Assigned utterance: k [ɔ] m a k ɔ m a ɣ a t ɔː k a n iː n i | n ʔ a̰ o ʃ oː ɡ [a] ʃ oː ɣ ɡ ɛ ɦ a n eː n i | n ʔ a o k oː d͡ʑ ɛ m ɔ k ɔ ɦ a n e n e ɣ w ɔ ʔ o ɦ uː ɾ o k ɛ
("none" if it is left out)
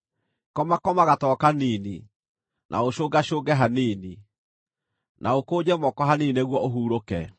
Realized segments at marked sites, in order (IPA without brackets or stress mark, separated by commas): ɔ, a